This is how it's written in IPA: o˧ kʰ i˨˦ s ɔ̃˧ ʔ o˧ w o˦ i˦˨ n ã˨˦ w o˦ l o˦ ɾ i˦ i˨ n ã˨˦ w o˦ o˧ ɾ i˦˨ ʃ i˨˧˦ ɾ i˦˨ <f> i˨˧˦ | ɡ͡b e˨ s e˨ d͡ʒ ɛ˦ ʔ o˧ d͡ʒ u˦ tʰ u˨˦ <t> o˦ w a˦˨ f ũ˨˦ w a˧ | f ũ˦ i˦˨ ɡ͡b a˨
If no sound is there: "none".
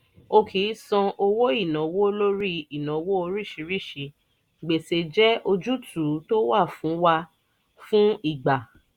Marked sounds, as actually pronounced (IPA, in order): ʃ, t

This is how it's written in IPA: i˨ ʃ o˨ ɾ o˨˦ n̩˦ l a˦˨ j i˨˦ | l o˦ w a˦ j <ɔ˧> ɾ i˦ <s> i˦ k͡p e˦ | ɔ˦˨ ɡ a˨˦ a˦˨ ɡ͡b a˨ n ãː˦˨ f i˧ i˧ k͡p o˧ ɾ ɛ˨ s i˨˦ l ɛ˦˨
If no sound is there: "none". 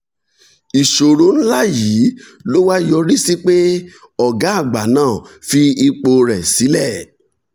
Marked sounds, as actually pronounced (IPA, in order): ɔ˧, s

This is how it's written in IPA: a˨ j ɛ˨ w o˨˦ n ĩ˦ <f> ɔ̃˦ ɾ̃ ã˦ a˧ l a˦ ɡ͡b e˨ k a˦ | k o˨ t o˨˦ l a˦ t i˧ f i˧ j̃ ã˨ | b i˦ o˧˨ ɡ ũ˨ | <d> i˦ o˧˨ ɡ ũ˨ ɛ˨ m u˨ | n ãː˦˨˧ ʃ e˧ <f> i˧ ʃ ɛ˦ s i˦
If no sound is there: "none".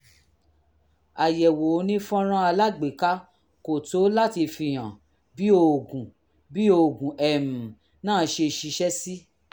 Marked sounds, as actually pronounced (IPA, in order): f, b, ʃ

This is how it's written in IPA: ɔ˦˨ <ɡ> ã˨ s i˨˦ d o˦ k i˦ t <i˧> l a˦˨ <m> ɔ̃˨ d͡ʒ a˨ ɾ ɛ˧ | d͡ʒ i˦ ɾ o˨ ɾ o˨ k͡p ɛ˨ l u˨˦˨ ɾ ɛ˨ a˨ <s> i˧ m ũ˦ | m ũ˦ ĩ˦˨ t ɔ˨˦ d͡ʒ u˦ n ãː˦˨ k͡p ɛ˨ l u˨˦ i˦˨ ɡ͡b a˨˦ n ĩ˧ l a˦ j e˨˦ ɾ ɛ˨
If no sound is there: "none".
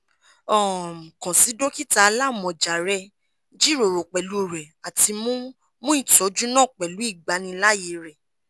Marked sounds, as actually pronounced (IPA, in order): k, a˧, m, t

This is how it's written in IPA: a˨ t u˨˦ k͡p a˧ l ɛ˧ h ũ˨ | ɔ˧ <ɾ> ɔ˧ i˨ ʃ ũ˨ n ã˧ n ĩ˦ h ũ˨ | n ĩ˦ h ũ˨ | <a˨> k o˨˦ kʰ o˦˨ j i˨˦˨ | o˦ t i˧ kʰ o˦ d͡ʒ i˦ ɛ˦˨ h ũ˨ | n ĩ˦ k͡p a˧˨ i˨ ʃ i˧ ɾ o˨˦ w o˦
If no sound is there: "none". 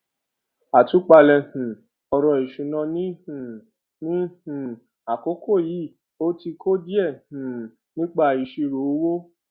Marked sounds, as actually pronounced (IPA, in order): ɾ, a˨

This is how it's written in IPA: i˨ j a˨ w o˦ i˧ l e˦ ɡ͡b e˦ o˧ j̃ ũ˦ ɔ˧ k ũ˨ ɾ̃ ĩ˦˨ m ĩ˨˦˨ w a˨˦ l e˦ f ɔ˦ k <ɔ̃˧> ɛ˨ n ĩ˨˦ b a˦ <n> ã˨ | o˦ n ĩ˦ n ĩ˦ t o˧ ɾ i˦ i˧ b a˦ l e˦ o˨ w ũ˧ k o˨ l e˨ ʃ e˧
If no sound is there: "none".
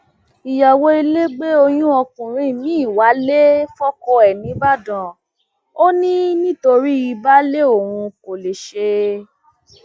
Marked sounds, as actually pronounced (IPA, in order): ɔ˧, d

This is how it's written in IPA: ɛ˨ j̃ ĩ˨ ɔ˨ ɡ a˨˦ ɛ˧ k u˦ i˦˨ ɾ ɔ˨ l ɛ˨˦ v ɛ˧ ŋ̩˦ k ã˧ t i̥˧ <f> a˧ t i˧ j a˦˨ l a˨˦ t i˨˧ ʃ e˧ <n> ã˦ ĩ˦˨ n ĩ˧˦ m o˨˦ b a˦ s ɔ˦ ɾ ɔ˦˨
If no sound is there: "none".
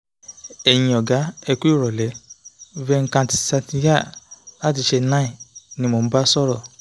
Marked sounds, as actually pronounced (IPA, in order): s, n

